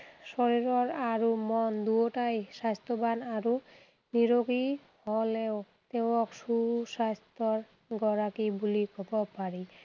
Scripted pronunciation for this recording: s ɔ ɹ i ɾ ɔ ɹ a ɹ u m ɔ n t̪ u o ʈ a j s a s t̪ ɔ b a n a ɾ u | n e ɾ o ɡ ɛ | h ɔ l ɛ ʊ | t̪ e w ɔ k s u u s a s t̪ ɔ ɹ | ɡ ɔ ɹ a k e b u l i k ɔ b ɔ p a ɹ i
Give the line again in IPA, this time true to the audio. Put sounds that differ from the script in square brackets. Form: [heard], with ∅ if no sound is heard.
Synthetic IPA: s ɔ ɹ i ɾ ɔ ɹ a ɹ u m ɔ n [d̪] u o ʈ a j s a s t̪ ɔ b a n a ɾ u | n [i] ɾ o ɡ [i] | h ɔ l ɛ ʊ | t̪ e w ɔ k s u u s a s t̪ ɔ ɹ | ɡ ɔ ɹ a k [i] b u l i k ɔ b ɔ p a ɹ i